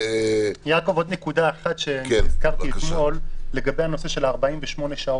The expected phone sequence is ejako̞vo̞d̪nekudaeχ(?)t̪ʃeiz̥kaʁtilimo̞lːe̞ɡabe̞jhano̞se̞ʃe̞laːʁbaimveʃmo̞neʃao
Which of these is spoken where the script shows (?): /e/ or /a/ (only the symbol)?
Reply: a